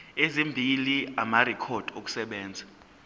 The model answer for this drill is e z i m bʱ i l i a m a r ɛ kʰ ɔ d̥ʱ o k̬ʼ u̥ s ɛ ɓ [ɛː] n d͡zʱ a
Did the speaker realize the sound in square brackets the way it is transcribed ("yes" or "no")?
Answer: yes